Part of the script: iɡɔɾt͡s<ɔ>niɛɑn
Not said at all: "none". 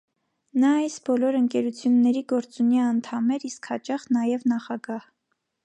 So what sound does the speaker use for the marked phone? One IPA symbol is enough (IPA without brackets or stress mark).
u